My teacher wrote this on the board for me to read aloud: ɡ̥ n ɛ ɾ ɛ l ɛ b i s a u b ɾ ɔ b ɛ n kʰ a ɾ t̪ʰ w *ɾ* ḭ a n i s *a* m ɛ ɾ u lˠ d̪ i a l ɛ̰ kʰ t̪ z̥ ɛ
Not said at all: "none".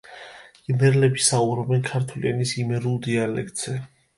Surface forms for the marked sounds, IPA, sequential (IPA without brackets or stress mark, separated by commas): l, i